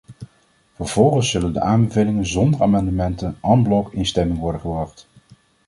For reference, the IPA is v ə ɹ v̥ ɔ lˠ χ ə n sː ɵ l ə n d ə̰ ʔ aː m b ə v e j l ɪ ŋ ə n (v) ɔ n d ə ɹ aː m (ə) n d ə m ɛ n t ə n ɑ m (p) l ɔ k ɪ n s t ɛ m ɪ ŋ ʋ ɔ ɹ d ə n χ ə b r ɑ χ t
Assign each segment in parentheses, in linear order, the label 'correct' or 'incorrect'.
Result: incorrect, incorrect, incorrect

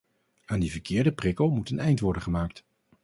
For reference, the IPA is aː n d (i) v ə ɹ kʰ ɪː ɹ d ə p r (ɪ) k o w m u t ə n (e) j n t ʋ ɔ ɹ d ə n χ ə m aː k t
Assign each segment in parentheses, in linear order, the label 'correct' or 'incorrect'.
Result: correct, correct, incorrect

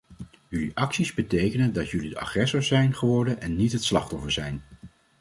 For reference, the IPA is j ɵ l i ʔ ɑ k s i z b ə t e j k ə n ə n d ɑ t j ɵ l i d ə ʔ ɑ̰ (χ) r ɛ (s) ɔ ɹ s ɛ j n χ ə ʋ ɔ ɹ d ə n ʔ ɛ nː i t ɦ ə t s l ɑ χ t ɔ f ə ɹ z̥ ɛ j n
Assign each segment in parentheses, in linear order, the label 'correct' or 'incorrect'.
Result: correct, correct

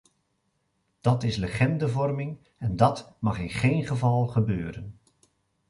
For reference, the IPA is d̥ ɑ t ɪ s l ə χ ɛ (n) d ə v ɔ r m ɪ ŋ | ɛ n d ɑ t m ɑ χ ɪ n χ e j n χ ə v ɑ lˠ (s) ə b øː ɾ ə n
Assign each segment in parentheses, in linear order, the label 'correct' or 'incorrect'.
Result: correct, incorrect

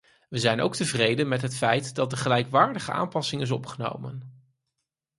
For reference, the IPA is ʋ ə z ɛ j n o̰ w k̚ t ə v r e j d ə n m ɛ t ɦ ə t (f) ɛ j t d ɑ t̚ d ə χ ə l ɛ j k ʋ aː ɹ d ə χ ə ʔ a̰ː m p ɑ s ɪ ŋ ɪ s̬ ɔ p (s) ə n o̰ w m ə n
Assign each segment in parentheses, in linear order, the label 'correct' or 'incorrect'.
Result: correct, incorrect

